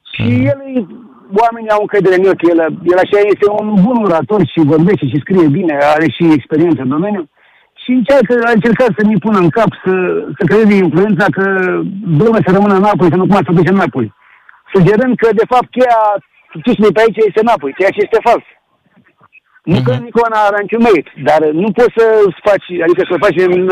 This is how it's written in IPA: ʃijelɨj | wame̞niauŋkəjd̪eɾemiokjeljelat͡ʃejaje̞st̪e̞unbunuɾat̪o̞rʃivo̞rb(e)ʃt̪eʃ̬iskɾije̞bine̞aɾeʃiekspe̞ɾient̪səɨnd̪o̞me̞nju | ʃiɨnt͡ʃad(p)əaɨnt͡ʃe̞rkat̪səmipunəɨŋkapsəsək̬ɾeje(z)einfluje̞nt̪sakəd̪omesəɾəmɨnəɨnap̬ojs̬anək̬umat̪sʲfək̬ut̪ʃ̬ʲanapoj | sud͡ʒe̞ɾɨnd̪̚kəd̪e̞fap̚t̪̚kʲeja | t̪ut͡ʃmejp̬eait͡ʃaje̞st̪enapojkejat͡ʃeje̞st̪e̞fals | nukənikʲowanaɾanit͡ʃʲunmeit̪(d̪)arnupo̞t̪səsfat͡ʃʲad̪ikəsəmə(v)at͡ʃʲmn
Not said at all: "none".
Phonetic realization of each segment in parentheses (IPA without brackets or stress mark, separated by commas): e, k, z, d̪, f